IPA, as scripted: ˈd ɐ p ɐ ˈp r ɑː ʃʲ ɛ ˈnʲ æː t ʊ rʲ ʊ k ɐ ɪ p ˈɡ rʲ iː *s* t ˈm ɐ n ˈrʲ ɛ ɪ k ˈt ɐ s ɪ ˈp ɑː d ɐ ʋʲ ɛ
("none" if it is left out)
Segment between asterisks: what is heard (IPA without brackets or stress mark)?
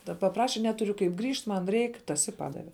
ʃ